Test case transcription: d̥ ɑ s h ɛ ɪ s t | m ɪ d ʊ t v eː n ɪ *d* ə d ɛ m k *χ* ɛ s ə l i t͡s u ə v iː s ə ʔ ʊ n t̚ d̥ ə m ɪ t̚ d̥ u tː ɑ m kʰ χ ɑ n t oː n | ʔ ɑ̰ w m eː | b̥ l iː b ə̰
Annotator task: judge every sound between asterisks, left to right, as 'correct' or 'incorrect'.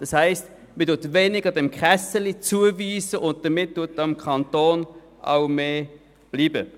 incorrect, correct

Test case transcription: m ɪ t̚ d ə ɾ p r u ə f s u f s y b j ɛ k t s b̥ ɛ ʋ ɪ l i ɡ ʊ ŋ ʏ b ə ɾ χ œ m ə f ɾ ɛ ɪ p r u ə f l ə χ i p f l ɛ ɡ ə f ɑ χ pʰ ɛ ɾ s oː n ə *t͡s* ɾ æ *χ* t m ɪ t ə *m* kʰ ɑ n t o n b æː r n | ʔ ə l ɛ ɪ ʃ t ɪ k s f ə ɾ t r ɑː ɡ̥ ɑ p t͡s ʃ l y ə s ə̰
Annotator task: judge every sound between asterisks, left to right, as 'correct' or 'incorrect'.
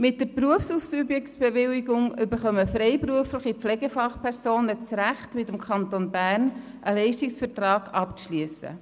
correct, correct, correct

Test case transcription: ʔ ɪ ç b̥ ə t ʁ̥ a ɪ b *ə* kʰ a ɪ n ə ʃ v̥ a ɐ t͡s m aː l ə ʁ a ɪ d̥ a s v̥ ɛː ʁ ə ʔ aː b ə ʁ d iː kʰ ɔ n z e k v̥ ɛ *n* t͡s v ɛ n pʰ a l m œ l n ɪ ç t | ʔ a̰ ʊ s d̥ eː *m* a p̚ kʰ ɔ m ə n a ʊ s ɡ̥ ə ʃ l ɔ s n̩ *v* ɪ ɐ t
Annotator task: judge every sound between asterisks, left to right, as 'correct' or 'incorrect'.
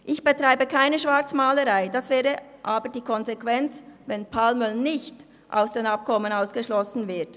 correct, correct, incorrect, correct

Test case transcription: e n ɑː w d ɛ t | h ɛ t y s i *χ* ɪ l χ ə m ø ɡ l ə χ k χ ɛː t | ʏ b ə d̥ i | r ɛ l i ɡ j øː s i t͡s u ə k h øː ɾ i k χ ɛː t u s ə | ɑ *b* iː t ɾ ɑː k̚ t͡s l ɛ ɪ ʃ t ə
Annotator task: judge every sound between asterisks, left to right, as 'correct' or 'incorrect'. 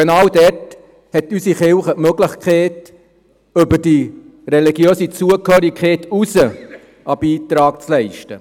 correct, correct

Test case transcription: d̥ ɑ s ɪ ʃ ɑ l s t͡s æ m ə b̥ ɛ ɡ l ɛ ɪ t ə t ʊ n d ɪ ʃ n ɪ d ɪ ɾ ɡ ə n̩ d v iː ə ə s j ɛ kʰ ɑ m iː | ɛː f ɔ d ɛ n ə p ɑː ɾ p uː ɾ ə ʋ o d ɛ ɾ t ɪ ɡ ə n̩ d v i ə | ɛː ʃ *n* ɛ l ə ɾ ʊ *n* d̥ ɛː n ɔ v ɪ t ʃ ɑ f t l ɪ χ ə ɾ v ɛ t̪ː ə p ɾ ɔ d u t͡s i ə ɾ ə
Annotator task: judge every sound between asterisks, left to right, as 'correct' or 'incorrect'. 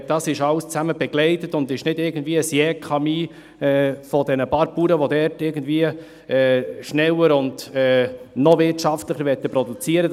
correct, correct

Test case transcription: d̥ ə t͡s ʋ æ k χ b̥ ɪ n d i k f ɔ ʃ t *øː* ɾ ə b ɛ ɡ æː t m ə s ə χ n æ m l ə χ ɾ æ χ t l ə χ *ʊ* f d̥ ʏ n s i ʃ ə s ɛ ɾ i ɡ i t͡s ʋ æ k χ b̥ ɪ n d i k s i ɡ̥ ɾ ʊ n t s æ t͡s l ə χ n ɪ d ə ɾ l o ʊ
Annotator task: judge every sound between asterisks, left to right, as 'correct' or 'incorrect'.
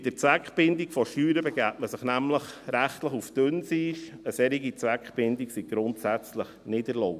incorrect, incorrect

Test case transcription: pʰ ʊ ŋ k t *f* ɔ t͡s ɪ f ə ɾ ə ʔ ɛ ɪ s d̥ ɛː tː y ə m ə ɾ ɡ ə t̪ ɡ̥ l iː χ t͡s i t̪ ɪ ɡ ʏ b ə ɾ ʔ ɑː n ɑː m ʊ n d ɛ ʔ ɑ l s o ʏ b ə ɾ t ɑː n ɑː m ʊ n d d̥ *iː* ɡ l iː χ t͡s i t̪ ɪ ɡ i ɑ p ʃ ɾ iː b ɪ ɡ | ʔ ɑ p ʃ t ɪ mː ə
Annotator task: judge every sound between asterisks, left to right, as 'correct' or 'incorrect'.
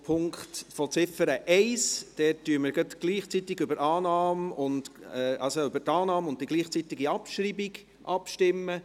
correct, incorrect

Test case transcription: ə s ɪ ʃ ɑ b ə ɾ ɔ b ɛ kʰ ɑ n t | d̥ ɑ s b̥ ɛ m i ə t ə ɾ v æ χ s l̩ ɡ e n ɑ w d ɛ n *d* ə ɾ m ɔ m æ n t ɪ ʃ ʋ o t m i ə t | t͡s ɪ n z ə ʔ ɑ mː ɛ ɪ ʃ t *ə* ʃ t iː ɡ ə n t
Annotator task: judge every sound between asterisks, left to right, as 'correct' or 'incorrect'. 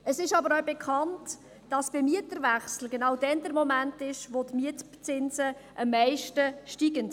correct, correct

